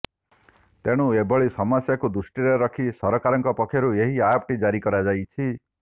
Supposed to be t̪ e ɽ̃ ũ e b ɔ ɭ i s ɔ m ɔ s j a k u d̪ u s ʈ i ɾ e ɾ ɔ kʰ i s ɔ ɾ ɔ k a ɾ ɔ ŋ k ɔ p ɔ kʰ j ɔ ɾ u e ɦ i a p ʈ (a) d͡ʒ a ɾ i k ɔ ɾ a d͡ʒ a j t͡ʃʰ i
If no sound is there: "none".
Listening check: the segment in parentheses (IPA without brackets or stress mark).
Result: i